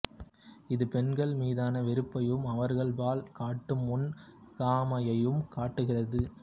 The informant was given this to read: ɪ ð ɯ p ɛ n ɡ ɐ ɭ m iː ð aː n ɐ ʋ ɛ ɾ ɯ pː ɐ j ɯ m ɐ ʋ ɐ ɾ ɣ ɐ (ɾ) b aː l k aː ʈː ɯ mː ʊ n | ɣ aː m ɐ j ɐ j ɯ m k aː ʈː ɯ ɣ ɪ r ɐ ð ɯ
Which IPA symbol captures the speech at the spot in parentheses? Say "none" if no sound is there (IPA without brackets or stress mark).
ɭ